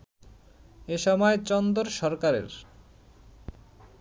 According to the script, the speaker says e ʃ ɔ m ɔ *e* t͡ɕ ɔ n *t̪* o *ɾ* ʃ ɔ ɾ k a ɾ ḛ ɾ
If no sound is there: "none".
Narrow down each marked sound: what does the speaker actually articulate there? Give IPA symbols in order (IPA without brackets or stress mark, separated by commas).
e, d̪, ɾ